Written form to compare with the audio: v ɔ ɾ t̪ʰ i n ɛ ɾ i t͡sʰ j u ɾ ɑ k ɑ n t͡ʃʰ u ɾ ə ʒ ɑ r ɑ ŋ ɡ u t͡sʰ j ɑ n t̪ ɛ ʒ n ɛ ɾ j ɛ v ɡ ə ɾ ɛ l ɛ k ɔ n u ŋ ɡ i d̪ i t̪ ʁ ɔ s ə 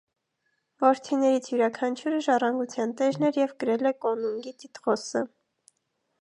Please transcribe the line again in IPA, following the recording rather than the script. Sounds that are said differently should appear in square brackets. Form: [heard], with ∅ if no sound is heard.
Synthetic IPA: v ɔ ɾ t̪ʰ i n ɛ ɾ i t͡sʰ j u ɾ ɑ [kʰ] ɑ n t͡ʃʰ u ɾ ə ʒ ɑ r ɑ ŋ ɡ u t͡sʰ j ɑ n t̪ ɛ ʒ n ɛ ɾ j ɛ v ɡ ə ɾ ɛ l ɛ k ɔ n u ŋ ɡ i [t̪] i t̪ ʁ ɔ s ə